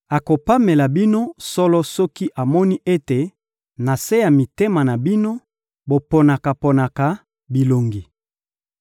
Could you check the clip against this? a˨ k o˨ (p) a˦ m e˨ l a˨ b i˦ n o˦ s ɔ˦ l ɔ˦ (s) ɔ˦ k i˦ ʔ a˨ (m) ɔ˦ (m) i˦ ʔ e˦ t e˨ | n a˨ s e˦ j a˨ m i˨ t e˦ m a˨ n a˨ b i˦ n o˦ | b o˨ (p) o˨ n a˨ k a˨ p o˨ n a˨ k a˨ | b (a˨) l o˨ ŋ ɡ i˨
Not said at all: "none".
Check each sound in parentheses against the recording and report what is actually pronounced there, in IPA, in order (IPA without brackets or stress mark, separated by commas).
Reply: p, s, m, n, p, i˨